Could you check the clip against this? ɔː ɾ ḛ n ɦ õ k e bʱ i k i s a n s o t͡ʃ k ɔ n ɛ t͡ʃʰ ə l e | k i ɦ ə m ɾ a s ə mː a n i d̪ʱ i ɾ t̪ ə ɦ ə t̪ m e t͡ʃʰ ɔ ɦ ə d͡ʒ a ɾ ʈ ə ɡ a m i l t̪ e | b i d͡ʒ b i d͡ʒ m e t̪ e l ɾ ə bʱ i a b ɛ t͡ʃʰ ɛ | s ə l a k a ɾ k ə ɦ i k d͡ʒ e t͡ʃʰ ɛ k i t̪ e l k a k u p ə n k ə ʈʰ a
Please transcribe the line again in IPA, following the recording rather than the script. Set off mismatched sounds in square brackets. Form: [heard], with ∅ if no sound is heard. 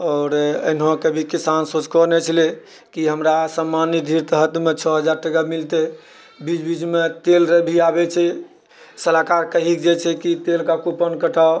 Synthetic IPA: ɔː ɾ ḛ n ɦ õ k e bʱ i k i s a n s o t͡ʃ k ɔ n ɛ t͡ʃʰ ə l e | k i ɦ ə m ɾ a s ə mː a n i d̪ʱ i ɾ t̪ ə ɦ ə t̪ m e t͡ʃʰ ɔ ɦ ə d͡ʒ a ɾ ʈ ə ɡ a m i l t̪ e | b i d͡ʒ b i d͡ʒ m e t̪ e l ɾ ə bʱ i a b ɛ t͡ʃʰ ɛ | s ə l a k a ɾ k ə ɦ i k d͡ʒ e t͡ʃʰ ɛ k i t̪ e l k a k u p ə n k ə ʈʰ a